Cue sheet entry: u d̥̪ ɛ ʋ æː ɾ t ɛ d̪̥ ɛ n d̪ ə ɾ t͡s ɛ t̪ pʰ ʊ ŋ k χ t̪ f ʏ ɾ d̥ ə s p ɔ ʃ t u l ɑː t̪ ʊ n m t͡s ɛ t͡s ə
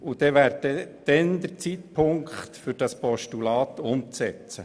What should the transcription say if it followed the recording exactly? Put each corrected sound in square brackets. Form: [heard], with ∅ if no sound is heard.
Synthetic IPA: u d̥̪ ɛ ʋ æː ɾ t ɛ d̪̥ ɛ n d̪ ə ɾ t͡s [i] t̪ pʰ ʊ ŋ k χ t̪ f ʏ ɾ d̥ [ɑ] s p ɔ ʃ t u l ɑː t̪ ʊ [∅] m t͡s ɛ t͡s ə